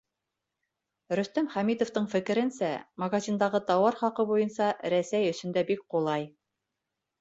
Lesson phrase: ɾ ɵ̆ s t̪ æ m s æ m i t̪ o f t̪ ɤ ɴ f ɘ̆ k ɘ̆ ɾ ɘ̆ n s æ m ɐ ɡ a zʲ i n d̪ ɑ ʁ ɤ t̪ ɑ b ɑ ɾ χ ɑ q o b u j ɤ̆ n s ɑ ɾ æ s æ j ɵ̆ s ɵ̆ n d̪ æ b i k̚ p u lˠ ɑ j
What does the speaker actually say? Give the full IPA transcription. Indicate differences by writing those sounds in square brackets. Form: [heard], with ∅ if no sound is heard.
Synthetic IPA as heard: ɾ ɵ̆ s t̪ æ m [χ] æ m i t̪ o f t̪ ɤ ɴ f ɘ̆ k ɘ̆ ɾ ɘ̆ n s æ m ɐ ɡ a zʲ i n d̪ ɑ ʁ ɤ t̪ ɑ [w] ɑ ɾ χ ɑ q [ɤ] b u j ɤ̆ n s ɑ ɾ æ s æ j ɵ̆ s ɵ̆ n d̪ æ b i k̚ [q] u lˠ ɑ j